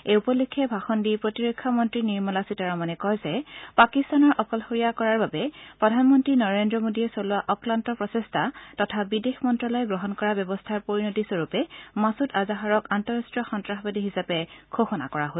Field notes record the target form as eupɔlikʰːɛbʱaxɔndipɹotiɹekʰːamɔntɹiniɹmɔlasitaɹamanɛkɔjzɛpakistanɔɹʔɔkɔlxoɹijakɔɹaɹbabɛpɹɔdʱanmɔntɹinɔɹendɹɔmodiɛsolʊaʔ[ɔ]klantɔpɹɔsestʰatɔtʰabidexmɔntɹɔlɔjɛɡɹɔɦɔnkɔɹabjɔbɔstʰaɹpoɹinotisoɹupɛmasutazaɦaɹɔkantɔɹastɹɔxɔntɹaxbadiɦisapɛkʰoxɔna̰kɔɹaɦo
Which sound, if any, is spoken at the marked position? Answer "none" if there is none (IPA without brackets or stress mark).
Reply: ɔ